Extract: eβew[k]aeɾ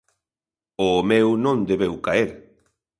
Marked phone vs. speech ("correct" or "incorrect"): correct